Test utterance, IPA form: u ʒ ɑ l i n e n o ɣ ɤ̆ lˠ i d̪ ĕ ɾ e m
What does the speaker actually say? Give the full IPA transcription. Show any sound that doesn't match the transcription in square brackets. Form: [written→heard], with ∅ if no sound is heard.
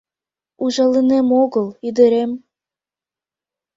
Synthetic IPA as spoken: u ʒ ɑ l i n e [n→m] o ɣ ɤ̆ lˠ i d̪ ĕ ɾ e m